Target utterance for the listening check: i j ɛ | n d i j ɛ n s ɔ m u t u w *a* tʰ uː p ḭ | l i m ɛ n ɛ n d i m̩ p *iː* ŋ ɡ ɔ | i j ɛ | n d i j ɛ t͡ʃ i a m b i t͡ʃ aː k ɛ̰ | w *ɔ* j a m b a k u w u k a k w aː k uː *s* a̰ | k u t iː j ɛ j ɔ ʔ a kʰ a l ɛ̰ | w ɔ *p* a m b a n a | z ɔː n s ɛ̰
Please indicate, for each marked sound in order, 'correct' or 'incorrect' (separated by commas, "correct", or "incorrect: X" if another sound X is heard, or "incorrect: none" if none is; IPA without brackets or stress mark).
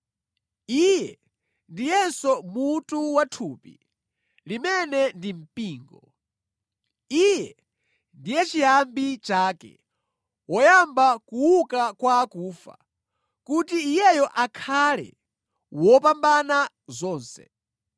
correct, correct, correct, incorrect: f, correct